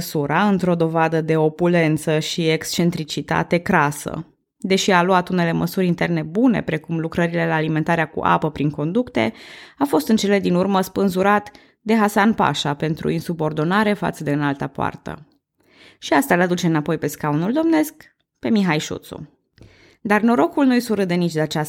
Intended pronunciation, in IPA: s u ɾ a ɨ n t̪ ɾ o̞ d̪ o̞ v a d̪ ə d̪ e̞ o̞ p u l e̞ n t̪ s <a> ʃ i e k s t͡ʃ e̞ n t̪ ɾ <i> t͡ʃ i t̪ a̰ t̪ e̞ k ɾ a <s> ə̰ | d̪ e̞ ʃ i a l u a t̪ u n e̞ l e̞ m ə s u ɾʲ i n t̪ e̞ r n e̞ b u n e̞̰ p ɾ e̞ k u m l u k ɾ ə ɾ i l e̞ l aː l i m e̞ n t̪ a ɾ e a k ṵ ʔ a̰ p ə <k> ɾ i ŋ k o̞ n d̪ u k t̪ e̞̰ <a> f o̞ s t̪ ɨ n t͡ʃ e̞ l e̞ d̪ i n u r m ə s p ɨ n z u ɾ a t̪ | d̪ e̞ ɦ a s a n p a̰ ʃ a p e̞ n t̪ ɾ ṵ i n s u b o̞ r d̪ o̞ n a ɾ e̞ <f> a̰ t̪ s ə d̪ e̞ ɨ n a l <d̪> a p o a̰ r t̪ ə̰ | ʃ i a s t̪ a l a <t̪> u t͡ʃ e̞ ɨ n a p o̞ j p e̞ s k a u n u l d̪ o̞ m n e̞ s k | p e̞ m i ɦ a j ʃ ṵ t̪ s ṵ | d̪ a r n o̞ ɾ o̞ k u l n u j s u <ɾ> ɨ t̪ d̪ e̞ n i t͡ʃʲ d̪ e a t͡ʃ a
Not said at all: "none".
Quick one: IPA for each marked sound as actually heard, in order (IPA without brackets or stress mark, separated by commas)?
ə, i, s, p, a, f, t̪, d̪, ɾ